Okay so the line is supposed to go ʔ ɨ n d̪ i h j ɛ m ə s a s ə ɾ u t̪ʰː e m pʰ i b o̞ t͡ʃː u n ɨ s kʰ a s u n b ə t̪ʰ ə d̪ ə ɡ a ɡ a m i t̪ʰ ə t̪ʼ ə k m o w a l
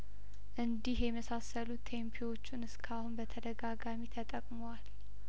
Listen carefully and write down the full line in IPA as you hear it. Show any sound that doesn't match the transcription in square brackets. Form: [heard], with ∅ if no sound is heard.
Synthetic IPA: ʔ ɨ n d̪ i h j ɛ m ə s a s ə [l] u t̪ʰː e m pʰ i [w] o̞ t͡ʃː u n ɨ s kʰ a [h] u n b ə t̪ʰ ə d̪ ə ɡ a ɡ a m i t̪ʰ ə t̪ʼ ə [kʼ] m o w a l